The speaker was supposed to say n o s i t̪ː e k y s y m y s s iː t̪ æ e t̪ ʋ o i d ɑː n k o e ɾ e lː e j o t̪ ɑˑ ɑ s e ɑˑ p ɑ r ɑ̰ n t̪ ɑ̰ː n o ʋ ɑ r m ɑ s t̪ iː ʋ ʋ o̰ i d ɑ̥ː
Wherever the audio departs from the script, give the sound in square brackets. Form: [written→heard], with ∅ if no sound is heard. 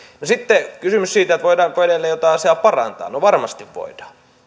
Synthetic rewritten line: n o s i t̪ː e k y s y m y s s iː t̪ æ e t̪ ʋ o i d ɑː [n→ŋ] k o e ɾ e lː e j o t̪ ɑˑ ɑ s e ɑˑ p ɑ r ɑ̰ n t̪ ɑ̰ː n o ʋ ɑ r m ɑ s t̪ [iː→i] ʋ ʋ o̰ i d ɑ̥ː